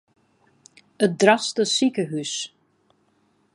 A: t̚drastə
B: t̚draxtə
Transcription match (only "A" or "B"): A